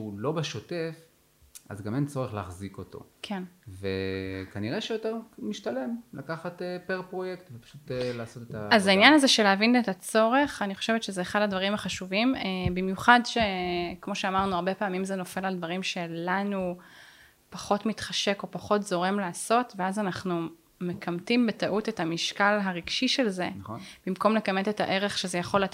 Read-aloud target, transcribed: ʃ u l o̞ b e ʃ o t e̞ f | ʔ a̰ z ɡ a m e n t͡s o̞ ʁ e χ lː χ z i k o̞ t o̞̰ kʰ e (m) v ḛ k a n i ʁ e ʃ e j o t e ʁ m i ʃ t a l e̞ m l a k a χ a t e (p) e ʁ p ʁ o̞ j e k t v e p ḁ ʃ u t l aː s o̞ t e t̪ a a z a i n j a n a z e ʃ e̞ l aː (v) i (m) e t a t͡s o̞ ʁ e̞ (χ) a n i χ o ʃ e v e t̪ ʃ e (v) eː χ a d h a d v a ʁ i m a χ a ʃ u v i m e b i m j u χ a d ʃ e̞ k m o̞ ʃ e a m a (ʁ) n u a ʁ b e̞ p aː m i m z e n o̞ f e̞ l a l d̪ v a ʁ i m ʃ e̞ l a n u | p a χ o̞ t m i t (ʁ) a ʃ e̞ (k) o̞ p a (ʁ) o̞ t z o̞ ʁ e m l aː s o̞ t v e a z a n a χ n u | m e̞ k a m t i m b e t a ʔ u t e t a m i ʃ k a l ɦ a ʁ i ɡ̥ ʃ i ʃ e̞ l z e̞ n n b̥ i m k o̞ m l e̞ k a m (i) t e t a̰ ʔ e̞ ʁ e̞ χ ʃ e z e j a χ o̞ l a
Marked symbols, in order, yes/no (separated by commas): no, yes, yes, no, yes, no, yes, no, yes, no, no